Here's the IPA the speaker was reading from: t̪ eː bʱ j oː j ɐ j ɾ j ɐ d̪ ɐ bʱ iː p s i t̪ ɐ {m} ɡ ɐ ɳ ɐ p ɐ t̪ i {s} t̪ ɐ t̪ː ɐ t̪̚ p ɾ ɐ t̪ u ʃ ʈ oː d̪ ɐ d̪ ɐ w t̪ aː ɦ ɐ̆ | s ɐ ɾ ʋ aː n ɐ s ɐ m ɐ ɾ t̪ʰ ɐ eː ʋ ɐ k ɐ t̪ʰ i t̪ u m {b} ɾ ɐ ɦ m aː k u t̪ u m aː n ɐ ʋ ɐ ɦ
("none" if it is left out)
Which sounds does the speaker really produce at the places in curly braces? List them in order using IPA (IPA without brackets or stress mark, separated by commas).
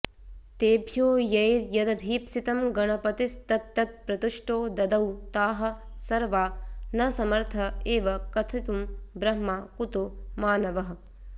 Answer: m, s, b